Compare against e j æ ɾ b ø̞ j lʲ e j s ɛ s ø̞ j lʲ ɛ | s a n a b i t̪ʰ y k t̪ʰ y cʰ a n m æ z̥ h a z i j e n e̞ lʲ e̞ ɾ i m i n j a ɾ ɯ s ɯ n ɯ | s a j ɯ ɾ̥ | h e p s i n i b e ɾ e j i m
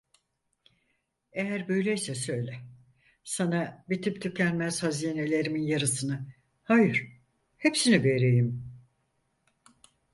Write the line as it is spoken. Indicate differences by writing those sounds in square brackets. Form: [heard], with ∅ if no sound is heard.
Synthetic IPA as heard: e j æ ɾ b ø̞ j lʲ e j s ɛ s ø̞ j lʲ ɛ | s a n a b i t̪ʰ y [p] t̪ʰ y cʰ [æ] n m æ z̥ h a z i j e n e̞ lʲ e̞ ɾ i m i n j a ɾ ɯ s ɯ n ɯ | [h] a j ɯ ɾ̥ | h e p s i n i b e ɾ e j i m